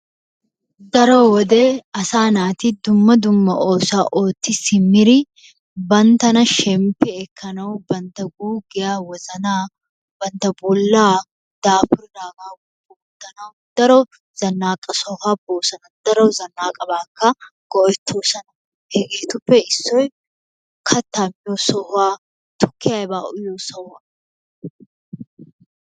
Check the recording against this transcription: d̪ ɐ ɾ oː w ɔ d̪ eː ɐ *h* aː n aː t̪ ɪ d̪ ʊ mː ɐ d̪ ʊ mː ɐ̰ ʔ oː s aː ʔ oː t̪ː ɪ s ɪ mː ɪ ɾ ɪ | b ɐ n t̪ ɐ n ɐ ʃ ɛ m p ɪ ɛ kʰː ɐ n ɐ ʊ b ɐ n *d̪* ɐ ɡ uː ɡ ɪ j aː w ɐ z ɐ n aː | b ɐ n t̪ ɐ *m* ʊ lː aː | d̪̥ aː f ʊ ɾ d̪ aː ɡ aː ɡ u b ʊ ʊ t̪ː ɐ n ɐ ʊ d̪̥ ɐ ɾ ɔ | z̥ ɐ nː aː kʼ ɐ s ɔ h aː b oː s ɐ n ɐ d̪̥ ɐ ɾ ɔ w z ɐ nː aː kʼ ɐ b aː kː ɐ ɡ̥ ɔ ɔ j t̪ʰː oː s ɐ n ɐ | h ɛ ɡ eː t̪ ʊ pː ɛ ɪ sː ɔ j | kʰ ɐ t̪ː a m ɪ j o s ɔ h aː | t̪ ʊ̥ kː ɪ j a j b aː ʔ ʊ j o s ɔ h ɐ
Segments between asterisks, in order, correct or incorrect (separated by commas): incorrect, incorrect, incorrect